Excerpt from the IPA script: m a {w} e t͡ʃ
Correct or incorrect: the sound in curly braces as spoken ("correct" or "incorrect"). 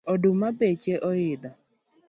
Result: incorrect